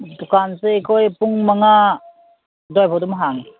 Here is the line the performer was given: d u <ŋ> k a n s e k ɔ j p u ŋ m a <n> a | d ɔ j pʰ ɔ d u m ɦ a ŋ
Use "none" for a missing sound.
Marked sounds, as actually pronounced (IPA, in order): none, ŋ

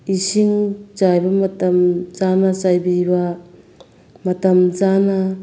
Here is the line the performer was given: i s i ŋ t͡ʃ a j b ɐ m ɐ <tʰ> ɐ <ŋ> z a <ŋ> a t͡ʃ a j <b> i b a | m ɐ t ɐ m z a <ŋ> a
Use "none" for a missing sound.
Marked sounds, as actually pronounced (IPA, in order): t, m, n, b, n

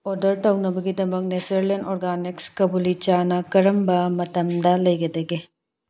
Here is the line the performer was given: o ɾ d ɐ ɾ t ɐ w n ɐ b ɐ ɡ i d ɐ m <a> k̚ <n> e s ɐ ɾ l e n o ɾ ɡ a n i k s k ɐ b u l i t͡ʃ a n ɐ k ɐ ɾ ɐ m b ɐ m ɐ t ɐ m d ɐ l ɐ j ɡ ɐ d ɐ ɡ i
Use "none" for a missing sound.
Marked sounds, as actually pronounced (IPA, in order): ɐ, n

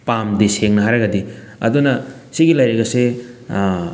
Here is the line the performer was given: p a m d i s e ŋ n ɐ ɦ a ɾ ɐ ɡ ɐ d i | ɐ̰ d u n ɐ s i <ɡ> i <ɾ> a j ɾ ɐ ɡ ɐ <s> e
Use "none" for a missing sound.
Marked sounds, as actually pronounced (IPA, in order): ɡ, l, s

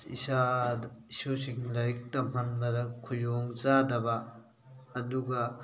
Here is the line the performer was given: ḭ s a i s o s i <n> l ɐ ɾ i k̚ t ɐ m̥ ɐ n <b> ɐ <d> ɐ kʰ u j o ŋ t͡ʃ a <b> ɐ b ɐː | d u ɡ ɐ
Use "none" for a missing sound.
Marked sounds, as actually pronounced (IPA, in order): ŋ, b, d, d

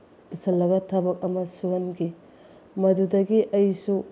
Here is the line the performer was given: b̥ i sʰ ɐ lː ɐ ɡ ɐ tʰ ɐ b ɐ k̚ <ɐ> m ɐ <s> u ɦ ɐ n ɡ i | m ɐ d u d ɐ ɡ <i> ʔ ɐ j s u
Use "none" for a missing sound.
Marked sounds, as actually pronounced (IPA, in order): ɐ, s, i

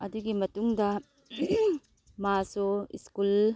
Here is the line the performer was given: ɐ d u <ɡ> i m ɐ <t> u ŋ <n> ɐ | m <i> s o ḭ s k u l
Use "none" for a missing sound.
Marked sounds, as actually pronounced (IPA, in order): ɡ, t, d, a

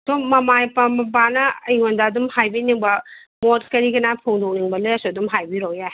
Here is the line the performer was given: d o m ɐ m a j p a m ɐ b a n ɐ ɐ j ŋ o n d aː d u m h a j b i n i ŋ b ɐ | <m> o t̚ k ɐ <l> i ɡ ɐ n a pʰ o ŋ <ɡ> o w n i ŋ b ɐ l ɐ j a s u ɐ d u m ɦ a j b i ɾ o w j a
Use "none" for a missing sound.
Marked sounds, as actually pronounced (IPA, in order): m, ɾ, d

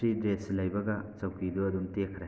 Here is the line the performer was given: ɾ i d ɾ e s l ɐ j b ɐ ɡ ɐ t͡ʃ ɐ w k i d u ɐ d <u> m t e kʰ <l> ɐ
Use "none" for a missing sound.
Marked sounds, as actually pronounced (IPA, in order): u, ɾ

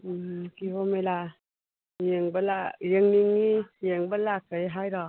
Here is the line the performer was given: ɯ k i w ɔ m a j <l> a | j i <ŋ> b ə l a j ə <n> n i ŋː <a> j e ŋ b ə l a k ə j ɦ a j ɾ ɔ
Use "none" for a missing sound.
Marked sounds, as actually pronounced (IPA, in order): l, ŋ, ŋ, i

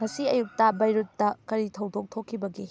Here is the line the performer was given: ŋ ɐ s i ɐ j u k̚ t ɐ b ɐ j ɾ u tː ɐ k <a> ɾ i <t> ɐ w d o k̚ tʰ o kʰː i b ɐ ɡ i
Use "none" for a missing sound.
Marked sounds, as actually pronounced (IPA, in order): ɐ, tʰ

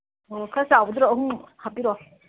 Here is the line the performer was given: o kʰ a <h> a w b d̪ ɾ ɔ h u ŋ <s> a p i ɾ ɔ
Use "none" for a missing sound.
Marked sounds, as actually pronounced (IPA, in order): s, h

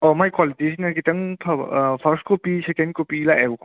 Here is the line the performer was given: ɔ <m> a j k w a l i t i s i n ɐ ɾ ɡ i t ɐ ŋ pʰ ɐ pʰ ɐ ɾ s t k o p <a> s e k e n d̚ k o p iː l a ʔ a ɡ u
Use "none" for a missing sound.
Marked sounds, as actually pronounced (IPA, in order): m, i

